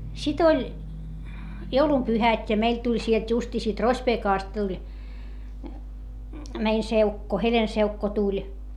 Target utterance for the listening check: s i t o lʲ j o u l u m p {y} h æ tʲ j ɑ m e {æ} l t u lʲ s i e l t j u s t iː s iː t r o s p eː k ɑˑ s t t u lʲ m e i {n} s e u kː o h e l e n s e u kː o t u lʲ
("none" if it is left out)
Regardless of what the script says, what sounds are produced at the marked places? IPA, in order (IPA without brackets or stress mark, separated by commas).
y, i, n